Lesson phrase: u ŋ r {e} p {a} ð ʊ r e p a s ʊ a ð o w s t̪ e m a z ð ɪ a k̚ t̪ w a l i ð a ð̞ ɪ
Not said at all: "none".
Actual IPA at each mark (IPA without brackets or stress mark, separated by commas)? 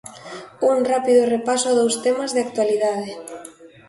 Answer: a, i